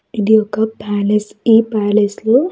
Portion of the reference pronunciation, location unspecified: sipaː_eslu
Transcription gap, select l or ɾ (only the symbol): l